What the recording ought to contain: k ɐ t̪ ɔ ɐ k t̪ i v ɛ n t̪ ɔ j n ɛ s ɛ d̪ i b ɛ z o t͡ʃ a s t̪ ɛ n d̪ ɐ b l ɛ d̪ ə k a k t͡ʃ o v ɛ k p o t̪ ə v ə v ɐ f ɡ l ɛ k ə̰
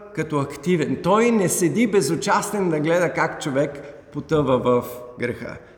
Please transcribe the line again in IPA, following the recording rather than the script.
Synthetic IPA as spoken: k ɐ t̪ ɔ ɐ k t̪ i v ɛ n t̪ ɔ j n ɛ s ɛ d̪ i b ɛ z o t͡ʃ a s t̪ ɛ n d̪ ɐ ɡ l ɛ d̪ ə k a k t͡ʃ o v ɛ k p o t̪ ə v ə v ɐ f ɡ ɾ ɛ x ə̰